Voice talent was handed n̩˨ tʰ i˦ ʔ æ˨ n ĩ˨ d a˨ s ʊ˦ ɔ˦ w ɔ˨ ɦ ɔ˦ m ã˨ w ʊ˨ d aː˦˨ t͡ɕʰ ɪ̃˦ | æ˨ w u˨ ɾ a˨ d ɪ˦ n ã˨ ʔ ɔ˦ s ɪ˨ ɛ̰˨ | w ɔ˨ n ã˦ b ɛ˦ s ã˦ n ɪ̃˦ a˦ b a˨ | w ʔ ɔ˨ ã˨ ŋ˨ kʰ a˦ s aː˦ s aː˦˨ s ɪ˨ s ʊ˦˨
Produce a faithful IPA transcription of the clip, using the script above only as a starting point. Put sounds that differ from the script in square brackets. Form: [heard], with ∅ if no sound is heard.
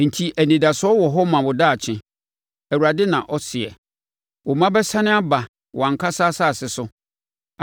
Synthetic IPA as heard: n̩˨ tʰ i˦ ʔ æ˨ n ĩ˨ d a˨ s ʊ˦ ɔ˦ w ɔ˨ ɦ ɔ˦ m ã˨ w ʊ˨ d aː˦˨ t͡ɕʰ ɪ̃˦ | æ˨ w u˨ ɾ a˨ d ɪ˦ n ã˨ ʔ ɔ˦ s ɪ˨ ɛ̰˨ | w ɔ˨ [m] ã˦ b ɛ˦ s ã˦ n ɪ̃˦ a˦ b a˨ | w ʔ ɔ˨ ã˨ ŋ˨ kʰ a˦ s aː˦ s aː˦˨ s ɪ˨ s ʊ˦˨